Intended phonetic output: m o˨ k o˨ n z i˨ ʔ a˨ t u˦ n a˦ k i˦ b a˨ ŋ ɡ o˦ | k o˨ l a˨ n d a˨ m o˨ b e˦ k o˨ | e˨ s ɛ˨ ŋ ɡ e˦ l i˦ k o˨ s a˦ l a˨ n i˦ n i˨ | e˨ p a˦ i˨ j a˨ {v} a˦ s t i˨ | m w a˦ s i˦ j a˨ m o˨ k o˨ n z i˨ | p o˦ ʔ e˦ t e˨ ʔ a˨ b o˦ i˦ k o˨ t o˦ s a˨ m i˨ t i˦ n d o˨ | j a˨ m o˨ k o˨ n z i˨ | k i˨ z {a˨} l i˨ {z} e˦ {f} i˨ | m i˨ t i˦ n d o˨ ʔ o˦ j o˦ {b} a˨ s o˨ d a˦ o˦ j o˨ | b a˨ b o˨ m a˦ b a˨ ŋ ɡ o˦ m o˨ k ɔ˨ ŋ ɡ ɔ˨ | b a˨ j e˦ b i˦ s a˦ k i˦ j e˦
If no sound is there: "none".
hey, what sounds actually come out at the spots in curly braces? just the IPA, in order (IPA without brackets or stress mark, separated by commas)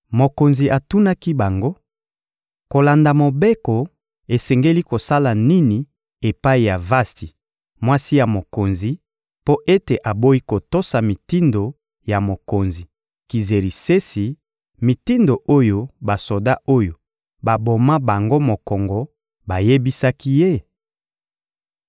v, e˨, s, s, b